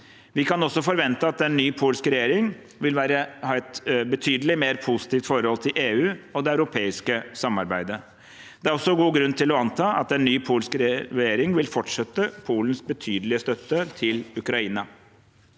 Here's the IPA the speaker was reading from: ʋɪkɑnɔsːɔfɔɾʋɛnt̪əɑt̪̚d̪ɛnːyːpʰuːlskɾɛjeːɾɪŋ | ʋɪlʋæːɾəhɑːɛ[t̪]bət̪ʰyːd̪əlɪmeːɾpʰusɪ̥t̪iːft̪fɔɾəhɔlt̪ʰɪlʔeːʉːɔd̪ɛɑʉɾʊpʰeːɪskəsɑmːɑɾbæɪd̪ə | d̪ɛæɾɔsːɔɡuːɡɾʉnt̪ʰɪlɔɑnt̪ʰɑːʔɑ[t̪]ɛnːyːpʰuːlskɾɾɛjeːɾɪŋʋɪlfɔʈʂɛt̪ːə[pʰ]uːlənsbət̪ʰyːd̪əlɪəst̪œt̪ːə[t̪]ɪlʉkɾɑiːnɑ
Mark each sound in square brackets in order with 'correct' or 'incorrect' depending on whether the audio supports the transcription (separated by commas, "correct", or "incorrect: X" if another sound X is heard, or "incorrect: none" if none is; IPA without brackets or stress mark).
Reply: correct, correct, correct, incorrect: t̪ʰ